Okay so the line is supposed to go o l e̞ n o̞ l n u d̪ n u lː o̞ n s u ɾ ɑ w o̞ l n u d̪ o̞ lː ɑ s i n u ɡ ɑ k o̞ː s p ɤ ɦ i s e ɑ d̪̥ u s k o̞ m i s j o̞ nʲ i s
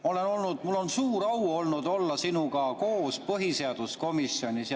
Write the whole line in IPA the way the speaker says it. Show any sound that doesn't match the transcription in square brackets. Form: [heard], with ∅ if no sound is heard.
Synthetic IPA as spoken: o l e̞ n o̞ l n u d̪ [m] u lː o̞ n s [uː] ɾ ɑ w o̞ l n u d̪ o̞ lː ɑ s i n u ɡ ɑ k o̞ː s p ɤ ɦ i s e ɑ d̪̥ u s k o̞ m i s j o̞ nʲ i s